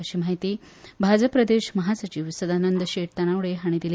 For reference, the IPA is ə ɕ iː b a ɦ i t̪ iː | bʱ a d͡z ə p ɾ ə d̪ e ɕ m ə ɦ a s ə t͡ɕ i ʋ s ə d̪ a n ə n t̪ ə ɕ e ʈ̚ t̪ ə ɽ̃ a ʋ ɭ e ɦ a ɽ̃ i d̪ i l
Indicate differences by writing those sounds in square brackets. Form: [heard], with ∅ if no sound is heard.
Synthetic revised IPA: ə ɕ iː [m] a ɦ i t̪ iː | bʱ a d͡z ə p ɾ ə d̪ e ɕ m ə ɦ a s ə t͡ɕ i ʋ s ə d̪ a n ə n [d̪] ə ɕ e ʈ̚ t̪ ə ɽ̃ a ʋ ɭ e ɦ a ɽ̃ i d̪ i l